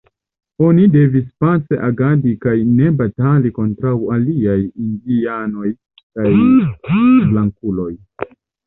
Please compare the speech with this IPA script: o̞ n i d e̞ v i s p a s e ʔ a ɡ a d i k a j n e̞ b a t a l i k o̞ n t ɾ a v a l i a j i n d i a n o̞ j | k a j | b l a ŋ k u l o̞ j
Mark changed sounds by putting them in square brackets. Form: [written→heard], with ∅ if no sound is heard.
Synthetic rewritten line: o̞ n i d e̞ v i s p a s e ʔ a ɡ a d i k a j n e̞ b a t a l i k o̞ n t ɾ a [v→w] a l i a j i n d i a n o̞ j | k a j | b l a ŋ k u l o̞ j